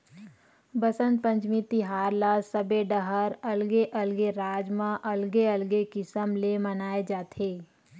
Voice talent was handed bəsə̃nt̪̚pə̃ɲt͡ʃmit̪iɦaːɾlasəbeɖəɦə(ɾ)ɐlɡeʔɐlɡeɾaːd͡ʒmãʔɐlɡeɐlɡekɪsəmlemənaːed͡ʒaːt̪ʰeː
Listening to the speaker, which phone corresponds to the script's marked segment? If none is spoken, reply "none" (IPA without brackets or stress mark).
ɾ